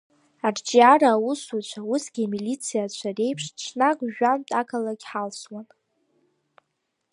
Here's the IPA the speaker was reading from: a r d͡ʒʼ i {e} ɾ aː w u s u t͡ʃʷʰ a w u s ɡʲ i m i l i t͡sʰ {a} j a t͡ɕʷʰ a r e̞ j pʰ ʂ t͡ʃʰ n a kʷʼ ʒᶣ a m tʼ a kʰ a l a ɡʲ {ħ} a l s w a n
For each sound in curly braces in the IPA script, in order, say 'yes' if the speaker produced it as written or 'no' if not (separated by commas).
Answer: no, no, yes